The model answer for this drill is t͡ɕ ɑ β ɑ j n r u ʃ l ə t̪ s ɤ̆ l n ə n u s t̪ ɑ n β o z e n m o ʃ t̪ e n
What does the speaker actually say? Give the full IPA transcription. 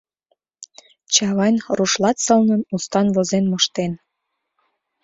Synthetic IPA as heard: t͡ɕ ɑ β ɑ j n r u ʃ l ɑ t̪ s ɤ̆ l n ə n u s t̪ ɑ n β o z e n m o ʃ t̪ e n